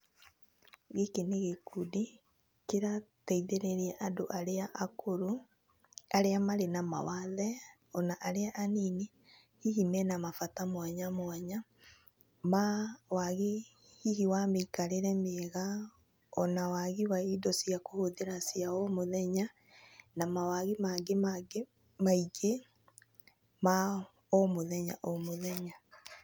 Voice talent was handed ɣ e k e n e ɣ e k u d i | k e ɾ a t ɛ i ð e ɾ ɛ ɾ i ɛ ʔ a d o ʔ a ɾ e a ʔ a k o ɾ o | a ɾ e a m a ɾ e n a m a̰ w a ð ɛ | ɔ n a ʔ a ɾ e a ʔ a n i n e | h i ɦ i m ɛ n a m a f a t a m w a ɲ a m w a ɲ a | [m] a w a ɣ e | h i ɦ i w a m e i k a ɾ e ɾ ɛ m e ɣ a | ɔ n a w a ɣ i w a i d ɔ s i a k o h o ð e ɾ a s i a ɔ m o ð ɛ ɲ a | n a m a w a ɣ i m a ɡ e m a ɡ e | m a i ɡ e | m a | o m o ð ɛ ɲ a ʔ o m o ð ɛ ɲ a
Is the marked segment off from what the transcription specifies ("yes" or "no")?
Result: no